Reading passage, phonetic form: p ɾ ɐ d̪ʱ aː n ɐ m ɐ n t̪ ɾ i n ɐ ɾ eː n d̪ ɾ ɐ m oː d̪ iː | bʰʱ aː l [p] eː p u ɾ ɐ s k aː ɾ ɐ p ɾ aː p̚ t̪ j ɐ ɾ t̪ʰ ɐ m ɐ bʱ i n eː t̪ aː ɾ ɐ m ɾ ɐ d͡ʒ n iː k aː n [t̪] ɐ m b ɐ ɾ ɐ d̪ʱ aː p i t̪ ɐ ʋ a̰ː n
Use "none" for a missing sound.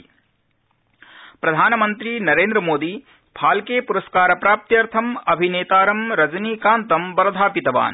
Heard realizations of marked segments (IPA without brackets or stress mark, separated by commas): k, t̪